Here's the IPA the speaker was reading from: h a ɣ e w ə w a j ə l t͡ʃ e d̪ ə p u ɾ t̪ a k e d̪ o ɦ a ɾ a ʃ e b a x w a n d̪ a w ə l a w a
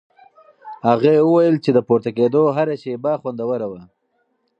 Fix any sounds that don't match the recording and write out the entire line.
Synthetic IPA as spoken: h a ɣ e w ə w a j ə l t͡ʃ e d̪ ə p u ɾ t̪ a k e d̪ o ɦ a ɾ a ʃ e b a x w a n d̪ a w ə ɾ a w a